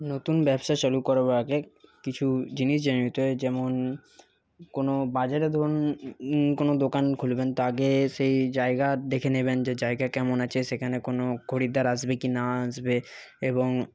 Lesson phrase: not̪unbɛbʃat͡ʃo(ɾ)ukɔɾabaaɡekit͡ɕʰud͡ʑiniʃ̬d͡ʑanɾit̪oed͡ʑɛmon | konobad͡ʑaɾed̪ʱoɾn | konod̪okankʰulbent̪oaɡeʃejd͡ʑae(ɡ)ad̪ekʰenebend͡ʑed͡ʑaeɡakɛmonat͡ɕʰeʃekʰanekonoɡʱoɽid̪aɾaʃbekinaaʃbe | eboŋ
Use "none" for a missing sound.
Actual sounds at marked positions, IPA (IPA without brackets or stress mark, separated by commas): l, ɡ